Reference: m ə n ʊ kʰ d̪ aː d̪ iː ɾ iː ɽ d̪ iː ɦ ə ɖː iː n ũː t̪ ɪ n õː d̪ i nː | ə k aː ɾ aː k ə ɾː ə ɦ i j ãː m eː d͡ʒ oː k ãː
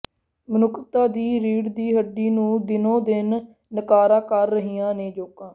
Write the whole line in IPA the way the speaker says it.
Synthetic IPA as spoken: m ə n ʊ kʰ t̪ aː d̪ iː ɾ iː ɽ d̪ iː ɦ ə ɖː iː n ũː d̪ ɪ n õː d̪ ɪ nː | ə k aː ɾ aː k ə ɾː ə ɦ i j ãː n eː d͡ʒ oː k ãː